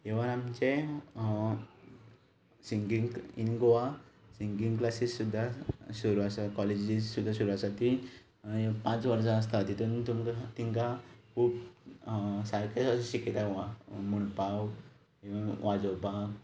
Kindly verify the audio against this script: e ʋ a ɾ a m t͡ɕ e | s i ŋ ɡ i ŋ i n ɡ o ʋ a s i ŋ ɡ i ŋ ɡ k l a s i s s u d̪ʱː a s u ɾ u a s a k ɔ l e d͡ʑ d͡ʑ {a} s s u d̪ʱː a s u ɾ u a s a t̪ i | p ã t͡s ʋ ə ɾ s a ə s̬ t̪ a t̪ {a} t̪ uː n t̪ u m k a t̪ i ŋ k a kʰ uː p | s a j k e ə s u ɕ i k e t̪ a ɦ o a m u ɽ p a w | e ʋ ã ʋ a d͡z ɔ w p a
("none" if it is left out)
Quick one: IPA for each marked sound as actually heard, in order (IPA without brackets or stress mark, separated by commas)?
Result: i, i